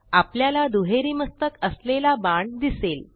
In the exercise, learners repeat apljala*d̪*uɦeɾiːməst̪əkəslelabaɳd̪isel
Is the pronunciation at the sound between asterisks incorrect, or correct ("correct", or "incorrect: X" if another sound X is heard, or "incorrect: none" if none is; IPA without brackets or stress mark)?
correct